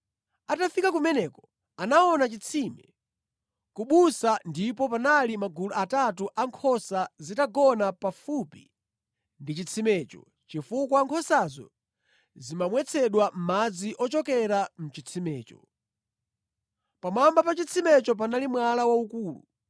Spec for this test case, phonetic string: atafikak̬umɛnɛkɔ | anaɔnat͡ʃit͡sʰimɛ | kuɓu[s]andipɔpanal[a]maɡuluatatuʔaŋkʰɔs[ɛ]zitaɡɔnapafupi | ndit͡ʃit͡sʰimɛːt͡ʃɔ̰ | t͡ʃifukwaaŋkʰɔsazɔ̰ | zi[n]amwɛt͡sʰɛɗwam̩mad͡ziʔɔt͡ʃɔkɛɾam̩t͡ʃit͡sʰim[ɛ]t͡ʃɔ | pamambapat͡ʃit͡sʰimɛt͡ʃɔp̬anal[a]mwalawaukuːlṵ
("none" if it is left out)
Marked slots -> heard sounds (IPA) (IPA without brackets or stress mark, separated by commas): s, i, a, m, ɛː, i